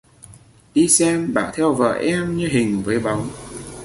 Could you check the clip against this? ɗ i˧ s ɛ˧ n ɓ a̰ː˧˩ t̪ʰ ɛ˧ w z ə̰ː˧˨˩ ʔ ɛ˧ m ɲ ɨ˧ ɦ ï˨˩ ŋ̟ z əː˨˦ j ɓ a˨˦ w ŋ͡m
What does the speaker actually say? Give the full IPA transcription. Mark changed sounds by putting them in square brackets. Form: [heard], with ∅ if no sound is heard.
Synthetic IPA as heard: ɗ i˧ s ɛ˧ [m] ɓ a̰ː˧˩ t̪ʰ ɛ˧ w [v] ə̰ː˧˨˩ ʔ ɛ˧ m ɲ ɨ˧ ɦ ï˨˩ ŋ̟ [v] əː˨˦ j ɓ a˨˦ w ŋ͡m